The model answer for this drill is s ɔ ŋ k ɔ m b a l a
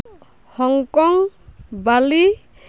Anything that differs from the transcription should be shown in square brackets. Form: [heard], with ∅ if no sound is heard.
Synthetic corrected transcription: [h] ɔ ŋ k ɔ [ŋ] b a l [i]

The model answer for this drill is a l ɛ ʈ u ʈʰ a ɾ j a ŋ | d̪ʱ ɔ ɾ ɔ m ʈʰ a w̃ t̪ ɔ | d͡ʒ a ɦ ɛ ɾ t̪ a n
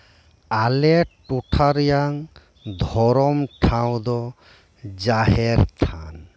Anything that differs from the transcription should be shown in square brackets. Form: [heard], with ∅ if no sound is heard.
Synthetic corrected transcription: a l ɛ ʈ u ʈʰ a ɾ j a ŋ | d̪ʱ ɔ ɾ ɔ m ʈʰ a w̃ [d̪] ɔ | d͡ʒ a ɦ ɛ ɾ [t̪ʰ] a n

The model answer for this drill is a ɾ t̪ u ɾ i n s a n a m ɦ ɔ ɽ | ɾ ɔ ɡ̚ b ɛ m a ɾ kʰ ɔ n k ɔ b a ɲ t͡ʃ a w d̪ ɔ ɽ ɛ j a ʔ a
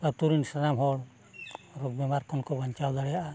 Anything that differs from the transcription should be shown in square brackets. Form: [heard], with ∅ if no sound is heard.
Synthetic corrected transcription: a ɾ t̪ u ɾ i n s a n a m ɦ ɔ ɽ | ɾ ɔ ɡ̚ b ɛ m a ɾ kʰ ɔ n k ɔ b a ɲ t͡ʃ a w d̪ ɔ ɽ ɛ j a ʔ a

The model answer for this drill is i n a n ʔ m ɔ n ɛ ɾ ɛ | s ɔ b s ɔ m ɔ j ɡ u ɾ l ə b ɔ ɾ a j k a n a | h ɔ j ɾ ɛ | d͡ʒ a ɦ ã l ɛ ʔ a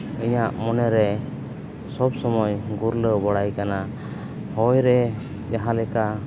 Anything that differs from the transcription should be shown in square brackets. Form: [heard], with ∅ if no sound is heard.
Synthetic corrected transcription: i [ɲ] a [∅] ʔ m ɔ n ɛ ɾ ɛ | s ɔ b s ɔ m ɔ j ɡ u ɾ l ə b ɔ [ɽ] a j k a n a | h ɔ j ɾ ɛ | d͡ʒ a ɦ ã l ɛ [k] a

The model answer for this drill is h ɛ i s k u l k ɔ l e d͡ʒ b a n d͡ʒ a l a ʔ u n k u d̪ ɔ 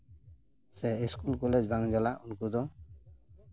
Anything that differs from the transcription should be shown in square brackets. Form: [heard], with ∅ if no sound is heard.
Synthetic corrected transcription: [s] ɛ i s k u l k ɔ l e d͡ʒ b a [ŋ] d͡ʒ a l a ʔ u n k u d̪ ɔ

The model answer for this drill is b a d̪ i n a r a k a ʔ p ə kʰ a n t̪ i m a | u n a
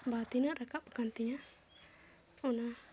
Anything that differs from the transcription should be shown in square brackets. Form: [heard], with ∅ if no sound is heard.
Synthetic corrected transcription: b a [t̪] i n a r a k a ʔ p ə [k] a n t̪ i [ɲ] a | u n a

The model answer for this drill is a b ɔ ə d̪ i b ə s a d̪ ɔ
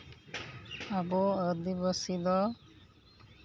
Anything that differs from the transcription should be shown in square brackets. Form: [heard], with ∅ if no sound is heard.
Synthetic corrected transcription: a b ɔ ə d̪ i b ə s [i] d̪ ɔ

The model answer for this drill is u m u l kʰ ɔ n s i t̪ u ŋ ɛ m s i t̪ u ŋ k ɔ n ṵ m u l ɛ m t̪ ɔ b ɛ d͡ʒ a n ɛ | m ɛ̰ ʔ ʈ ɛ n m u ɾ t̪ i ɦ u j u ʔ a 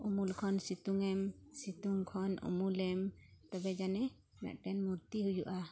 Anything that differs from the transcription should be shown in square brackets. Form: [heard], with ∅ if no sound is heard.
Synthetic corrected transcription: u m u l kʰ ɔ n s i t̪ u ŋ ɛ m s i t̪ u ŋ [kʰ] ɔ n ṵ m u l ɛ m t̪ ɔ b ɛ d͡ʒ a n ɛ | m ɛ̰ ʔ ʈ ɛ n m u ɾ t̪ i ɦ u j u ʔ a

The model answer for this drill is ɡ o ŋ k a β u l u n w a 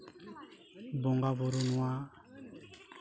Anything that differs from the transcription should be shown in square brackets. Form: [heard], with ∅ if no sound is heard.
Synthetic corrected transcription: [b] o ŋ [ɡ] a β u [ɾ] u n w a

